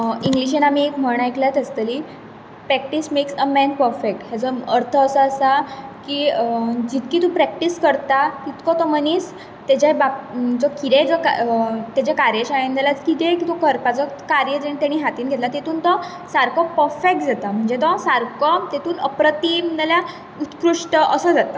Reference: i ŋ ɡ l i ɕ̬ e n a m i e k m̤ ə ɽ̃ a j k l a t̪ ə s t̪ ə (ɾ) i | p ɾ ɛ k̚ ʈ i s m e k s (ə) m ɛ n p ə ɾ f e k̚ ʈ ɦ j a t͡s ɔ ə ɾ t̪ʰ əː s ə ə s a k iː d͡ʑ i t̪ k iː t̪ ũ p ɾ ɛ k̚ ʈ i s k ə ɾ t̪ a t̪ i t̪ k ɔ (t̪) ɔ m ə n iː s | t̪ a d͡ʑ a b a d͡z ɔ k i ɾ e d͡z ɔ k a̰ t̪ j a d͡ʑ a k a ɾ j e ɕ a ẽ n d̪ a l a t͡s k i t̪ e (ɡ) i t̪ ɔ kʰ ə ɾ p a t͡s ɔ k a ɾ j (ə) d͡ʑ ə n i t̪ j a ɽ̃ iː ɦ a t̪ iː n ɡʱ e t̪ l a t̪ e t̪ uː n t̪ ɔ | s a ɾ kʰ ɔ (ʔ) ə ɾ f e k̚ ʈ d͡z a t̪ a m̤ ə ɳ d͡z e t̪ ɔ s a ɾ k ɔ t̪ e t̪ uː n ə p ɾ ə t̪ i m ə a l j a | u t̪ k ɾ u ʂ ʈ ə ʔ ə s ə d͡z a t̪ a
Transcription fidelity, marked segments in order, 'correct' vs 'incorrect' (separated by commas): incorrect, correct, correct, incorrect, correct, incorrect